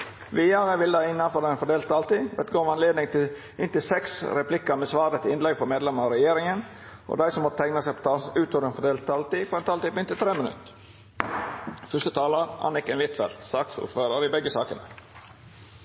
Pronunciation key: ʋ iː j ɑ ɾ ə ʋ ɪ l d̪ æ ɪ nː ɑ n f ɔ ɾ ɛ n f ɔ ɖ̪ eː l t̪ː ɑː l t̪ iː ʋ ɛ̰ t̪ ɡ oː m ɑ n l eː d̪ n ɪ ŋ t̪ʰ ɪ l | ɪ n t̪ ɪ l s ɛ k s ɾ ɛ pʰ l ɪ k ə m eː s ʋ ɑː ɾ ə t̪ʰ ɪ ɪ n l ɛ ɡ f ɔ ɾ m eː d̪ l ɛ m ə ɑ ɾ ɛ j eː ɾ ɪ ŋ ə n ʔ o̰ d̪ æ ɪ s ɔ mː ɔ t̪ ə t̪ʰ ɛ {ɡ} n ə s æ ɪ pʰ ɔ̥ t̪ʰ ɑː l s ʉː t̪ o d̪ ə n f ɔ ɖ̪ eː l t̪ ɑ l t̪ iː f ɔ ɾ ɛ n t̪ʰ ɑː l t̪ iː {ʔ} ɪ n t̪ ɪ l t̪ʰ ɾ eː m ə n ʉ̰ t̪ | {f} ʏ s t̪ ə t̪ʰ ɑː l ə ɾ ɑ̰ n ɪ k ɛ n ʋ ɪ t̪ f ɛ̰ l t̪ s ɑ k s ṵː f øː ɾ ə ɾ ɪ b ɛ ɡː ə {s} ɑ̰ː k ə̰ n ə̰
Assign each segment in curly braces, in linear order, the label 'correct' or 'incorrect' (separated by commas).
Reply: incorrect, incorrect, correct, correct